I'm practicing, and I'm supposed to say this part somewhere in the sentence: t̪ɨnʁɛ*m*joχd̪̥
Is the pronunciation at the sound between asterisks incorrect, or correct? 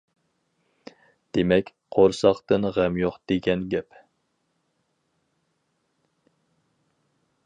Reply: correct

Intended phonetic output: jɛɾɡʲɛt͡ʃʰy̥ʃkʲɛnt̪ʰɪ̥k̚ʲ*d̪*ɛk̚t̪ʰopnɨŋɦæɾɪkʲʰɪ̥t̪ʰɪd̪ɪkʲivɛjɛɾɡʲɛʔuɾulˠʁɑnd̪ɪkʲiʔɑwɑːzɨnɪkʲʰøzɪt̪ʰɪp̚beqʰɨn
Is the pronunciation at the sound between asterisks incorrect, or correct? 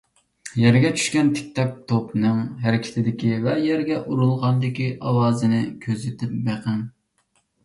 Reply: incorrect: t̪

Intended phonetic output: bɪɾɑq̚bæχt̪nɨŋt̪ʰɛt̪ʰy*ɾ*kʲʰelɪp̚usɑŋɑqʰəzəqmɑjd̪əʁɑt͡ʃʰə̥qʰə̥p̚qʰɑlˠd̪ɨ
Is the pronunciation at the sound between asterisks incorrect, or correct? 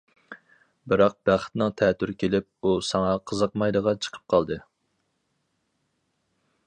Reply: correct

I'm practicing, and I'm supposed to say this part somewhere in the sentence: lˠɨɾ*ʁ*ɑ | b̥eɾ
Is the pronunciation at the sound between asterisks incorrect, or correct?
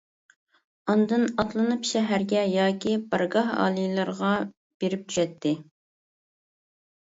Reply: correct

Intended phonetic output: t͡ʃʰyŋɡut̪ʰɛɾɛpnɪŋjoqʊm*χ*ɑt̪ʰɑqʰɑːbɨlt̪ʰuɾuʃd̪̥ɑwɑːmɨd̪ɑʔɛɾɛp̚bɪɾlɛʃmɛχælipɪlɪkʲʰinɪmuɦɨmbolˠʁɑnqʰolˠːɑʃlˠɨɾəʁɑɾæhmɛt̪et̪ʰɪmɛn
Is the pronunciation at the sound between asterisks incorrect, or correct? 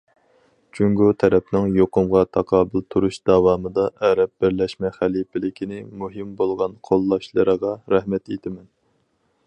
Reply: incorrect: ʁ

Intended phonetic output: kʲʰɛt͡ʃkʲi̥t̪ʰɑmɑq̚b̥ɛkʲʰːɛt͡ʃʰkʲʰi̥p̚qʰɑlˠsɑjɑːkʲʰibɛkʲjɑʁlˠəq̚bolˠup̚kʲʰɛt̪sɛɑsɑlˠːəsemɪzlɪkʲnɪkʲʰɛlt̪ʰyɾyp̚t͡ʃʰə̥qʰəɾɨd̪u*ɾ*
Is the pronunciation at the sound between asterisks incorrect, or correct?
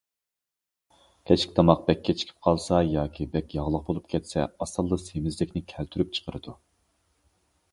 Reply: incorrect: none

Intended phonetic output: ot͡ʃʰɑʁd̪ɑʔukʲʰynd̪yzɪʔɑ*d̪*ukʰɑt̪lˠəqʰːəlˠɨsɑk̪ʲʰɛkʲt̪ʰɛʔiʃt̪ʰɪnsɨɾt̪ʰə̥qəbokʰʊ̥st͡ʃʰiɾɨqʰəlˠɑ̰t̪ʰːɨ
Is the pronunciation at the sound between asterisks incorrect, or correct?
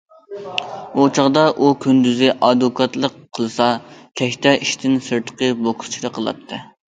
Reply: correct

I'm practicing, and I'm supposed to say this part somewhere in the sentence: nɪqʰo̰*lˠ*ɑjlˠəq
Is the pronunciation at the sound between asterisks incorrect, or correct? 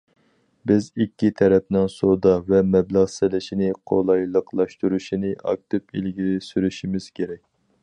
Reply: correct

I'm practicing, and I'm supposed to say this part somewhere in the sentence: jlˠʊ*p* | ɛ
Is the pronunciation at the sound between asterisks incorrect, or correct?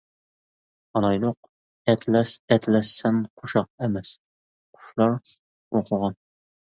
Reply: incorrect: q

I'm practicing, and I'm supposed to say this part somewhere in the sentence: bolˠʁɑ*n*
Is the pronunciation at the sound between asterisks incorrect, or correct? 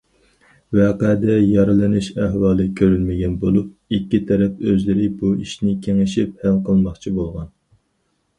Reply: correct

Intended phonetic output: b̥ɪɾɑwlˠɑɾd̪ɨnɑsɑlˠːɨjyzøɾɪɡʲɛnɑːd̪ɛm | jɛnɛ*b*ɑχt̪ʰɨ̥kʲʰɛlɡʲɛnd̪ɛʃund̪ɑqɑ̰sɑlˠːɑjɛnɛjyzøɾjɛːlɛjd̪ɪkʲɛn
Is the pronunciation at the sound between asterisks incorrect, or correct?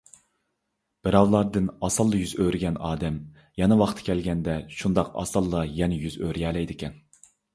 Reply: incorrect: w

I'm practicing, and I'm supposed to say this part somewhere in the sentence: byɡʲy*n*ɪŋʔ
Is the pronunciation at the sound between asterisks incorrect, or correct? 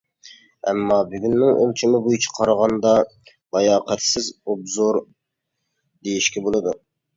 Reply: incorrect: nː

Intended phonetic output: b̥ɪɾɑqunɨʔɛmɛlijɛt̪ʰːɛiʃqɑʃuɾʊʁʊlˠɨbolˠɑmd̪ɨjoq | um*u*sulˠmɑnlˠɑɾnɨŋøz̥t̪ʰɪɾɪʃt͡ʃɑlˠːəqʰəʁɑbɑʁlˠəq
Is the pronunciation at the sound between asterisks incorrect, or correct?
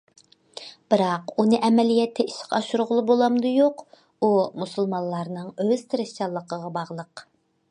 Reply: correct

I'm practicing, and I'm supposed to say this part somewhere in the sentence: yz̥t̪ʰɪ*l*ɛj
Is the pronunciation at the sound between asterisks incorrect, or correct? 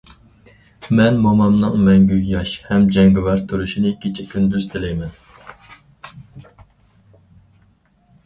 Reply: correct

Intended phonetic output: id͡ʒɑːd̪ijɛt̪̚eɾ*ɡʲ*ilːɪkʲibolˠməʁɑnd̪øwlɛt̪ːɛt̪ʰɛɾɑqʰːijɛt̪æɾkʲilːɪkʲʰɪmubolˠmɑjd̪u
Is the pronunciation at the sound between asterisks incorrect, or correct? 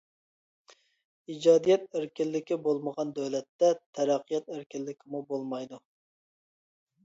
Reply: incorrect: kʲ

